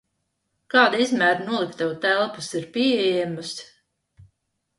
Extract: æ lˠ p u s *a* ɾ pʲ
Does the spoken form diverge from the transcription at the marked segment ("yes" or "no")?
yes